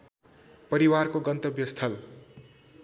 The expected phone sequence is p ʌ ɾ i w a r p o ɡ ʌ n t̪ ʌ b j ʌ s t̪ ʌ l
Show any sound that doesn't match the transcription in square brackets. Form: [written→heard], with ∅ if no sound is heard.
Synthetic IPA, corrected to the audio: p ʌ ɾ i w a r [p→k] o ɡ ʌ n t̪ ʌ b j ʌ s [t̪→t̪ʰ] ʌ l